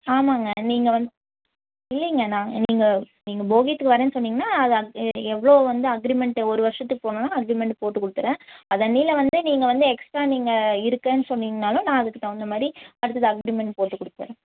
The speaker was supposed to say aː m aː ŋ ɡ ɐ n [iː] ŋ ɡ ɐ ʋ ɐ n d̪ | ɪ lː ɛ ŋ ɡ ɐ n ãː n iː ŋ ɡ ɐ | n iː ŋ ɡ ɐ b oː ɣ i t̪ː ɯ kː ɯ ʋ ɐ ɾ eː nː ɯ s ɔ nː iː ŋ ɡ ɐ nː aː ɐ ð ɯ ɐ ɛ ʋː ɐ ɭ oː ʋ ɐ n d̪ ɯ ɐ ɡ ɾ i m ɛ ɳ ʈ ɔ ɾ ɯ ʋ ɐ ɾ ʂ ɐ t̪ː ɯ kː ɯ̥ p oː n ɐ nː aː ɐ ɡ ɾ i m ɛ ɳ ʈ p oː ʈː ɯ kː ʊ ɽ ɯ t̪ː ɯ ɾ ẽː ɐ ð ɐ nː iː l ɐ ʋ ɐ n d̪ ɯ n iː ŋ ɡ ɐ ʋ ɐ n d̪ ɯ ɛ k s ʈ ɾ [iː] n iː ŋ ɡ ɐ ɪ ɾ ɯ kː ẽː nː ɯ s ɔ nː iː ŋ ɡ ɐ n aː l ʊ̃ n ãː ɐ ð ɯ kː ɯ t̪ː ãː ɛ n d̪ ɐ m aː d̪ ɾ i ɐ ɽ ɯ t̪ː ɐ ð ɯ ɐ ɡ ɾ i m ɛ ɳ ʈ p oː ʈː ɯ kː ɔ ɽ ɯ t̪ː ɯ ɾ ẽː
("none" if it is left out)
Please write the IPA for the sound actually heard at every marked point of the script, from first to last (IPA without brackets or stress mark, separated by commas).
iː, aː